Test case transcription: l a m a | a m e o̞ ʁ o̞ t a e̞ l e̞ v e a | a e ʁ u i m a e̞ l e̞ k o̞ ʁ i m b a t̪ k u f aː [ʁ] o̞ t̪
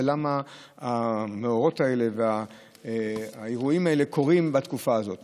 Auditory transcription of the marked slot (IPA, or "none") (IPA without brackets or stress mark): z